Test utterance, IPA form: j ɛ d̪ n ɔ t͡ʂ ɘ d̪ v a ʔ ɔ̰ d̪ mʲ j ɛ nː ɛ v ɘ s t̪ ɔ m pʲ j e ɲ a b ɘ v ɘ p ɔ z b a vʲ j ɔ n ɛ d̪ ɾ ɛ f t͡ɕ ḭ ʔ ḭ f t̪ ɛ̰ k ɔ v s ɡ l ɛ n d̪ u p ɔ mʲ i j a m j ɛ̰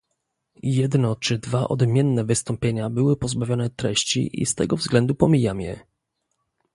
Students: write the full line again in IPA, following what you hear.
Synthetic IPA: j ɛ d̪ n ɔ t͡ʂ ɘ d̪ v a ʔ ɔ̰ d̪ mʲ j ɛ nː ɛ v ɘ s t̪ ɔ m pʲ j e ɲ a b ɘ w ɘ p ɔ z b a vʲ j ɔ n ɛ t̪ ɾ ɛ ɕ t͡ɕ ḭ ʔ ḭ s t̪ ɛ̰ ɡ ɔ v z ɡ l ɛ n d̪ u p ɔ mʲ i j a m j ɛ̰